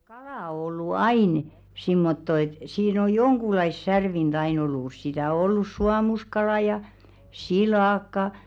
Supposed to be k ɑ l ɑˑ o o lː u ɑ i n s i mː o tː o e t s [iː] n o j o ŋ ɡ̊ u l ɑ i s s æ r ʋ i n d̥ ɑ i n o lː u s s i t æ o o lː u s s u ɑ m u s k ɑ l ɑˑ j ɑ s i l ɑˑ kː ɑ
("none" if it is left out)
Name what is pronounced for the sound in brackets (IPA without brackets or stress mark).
iː